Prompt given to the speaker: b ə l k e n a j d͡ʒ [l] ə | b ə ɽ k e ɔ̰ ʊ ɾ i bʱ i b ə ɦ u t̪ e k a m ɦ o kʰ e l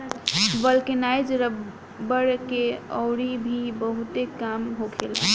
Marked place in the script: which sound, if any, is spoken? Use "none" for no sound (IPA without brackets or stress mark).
ɾ